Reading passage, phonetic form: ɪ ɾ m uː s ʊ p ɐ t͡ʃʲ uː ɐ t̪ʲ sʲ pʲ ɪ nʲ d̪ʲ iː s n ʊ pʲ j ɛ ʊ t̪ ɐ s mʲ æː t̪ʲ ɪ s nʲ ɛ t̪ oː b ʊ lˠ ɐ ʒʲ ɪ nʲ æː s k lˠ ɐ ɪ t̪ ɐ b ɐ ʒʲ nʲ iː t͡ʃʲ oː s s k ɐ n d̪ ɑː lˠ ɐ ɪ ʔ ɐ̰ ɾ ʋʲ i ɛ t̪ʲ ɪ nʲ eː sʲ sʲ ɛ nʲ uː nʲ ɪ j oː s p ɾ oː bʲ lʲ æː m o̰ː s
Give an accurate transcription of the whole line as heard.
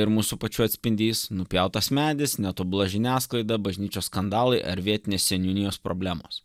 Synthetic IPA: ɪ ɾ m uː s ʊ p ɐ t͡ʃʲ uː ɐ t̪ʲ sʲ pʲ ɪ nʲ d̪ʲ iː s n ʊ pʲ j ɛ ʊ t̪ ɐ s mʲ æː d̪ʲ ɪ s nʲ ɛ t̪ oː b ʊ lˠ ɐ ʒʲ ɪ nʲ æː s k lˠ ɐ ɪ d̪ ɐ b ɐ ʒʲ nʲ iː t͡ʃʲ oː s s k ɐ n d̪ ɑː lˠ ɐ ɪ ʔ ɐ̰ ɾ ʋʲ i ɛ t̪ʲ ɪ nʲ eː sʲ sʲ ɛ nʲ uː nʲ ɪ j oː s p ɾ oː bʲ lʲ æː m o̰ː s

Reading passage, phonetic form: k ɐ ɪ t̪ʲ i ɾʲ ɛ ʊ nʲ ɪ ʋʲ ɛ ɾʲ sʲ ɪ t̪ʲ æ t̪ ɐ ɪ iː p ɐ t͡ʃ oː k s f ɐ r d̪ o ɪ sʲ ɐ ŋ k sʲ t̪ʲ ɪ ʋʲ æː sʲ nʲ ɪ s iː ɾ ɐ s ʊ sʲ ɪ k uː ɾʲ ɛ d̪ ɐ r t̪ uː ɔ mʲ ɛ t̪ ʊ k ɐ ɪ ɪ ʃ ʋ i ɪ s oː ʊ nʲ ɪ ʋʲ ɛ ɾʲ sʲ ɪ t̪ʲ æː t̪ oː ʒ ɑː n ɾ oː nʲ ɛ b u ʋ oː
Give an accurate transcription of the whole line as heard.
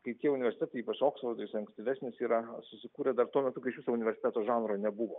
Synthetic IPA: k ɐ ɪ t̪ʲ i ɛ ʊ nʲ ɪ ʋʲ ɛ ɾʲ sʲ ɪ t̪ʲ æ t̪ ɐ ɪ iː p ɐ t͡ʃ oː k s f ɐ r d̪ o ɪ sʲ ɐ ŋ k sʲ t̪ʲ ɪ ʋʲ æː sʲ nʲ ɪ s iː ɾ ɐ s ʊ sʲ ɪ k uː ɾʲ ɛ d̪ ɐ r t̪ u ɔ mʲ ɛ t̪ ʊ k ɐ ɪ ɪ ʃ ʋ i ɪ s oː ʊ nʲ ɪ ʋʲ ɛ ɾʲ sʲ ɪ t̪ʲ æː t̪ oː ʒ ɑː n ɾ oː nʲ ɛ b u ʋ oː

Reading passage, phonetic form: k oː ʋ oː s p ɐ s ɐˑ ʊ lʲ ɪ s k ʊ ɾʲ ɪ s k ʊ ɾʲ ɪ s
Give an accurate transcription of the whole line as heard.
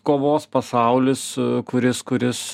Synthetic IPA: k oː ʋ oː s p ɐ s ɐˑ ʊ lʲ ɪ s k ʊ ɾʲ ɪ s k ʊ ɾʲ ɪ s

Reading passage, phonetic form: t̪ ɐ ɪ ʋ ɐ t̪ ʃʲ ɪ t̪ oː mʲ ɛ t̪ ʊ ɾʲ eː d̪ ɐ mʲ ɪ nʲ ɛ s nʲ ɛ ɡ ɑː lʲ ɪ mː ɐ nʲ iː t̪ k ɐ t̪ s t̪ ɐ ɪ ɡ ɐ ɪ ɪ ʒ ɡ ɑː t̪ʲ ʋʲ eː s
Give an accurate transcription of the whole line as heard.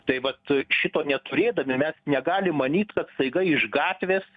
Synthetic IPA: t̪ ɐ ɪ ʋ ɐ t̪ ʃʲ ɪ t̪ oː nʲ ɛ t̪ ʊ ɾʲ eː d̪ ɐ mʲ ɪ mʲ ɛ s nʲ ɛ ɡ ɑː lʲ ɪ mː ɐ nʲ iː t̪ k ɐ t̪ s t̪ ɐ ɪ ɡ ɐ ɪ ɪ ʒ ɡ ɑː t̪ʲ ʋʲ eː s

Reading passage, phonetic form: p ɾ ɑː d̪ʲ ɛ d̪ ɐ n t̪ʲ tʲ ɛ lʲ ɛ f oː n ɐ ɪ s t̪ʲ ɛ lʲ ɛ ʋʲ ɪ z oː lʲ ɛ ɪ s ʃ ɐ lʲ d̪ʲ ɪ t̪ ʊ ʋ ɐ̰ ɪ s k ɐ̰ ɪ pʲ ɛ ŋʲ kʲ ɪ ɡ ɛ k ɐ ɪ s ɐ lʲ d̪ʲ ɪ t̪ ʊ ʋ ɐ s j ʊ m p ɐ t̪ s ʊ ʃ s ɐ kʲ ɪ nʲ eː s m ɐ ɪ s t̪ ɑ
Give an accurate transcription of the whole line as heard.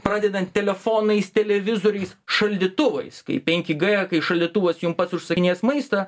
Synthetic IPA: p ɾ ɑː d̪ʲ ɛ d̪ ɐ n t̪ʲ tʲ ɛ lʲ ɛ f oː n ɐ ɪ s t̪ʲ ɛ lʲ ɛ ʋʲ ɪ z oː ɾʲ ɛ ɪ s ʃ ɐ lʲ d̪ʲ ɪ t̪ ʊ ʋ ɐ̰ ɪ s k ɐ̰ ɪ pʲ ɛ ŋʲ kʲ ɪ ɡ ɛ k ɐ ɪ ʃ ɐ lʲ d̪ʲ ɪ t̪ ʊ ʋ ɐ s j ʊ m p ɐ t̪ s ʊ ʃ s ɐ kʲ ɪ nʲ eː s m ɐ ɪ s t̪ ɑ

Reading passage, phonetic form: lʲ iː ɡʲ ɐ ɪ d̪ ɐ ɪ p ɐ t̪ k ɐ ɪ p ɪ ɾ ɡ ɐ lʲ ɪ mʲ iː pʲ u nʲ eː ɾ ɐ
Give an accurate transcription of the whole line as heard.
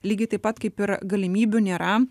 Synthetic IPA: lʲ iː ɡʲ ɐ ɪ t̪ ɐ ɪ p ɐ t̪ k ɐ ɪ p ɪ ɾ ɡ ɐ lʲ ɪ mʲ iː bʲ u nʲ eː ɾ ɐ

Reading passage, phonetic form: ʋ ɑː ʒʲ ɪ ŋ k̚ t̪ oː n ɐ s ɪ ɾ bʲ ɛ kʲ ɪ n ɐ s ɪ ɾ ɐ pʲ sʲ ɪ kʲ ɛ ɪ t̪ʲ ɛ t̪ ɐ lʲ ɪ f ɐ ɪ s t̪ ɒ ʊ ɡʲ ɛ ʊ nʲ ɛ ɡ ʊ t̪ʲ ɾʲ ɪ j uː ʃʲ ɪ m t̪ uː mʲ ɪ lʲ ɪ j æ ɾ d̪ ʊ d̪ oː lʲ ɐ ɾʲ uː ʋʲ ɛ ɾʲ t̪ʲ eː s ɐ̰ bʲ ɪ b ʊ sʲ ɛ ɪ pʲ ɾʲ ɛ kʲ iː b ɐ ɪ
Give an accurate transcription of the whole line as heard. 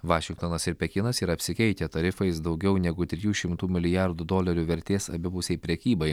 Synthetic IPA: ʋ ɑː ʃʲ ɪ ŋ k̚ t̪ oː n ɐ s ɪ ɾ pʲ ɛ kʲ ɪ n ɐ s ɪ ɾ ɐ pʲ sʲ ɪ kʲ ɛ ɪ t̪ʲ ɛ t̪ ɐ ɾʲ ɪ f ɐ ɪ s d̪ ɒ ʊ ɡʲ ɛ ʊ nʲ ɛ ɡ ʊ t̪ʲ ɾʲ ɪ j uː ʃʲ ɪ m t̪ uː mʲ ɪ lʲ ɪ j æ ɾ d̪ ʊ d̪ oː lʲ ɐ ɾʲ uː ʋʲ ɛ ɾʲ t̪ʲ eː s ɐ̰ bʲ ɪ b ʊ sʲ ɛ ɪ pʲ ɾʲ ɛ kʲ iː b ɐ ɪ

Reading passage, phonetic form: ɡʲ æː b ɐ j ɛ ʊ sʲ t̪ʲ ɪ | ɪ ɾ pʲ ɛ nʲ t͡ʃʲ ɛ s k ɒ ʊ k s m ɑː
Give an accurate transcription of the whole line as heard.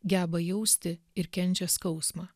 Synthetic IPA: ɡʲ æː b ɐ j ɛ ʊ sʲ t̪ʲ ɪ | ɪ ɾ kʲ ɛ nʲ t͡ʃʲ ɛ s k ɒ ʊ s m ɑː

